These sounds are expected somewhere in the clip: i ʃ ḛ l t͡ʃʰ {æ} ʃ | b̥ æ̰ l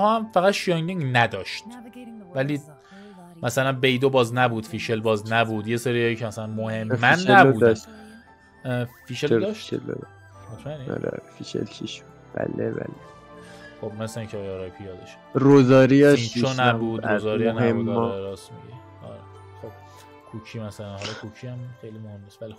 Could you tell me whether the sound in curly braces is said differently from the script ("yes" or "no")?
yes